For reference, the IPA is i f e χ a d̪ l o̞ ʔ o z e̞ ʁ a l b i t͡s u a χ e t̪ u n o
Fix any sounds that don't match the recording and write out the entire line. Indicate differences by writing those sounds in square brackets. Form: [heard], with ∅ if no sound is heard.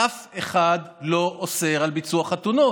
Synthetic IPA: [a] f e χ a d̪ l o̞ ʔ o [s] e̞ ʁ a l b i t͡s u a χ [a] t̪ u n o